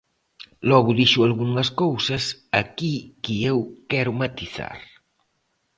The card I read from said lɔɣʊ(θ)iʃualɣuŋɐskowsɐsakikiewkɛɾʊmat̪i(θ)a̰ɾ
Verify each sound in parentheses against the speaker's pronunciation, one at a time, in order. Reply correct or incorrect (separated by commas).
incorrect, correct